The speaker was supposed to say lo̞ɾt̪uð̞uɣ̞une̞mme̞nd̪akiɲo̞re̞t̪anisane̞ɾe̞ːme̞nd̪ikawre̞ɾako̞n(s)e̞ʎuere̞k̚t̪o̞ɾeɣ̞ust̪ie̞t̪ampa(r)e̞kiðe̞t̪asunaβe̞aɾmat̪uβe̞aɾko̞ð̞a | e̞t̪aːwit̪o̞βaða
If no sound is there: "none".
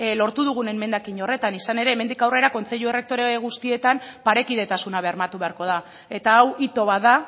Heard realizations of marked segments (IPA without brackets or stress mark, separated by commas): t͡s, ɾ